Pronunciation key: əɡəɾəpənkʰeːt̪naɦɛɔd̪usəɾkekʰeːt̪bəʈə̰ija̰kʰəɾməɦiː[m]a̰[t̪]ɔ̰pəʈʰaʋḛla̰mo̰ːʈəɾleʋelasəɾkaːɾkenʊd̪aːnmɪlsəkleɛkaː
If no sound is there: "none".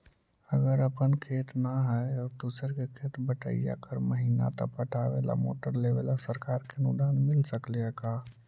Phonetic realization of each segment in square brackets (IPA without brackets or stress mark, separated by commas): n, t̪